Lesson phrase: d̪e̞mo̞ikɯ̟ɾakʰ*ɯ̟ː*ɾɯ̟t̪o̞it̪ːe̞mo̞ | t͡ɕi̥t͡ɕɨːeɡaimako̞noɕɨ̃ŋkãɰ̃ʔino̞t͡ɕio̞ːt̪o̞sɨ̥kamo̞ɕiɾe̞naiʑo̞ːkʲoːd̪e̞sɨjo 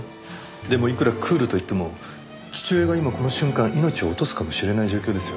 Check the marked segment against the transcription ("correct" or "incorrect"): correct